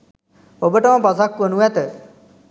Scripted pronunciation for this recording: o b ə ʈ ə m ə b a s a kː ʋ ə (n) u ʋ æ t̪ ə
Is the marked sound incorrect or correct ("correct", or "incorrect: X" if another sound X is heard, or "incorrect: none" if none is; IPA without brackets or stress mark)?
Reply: correct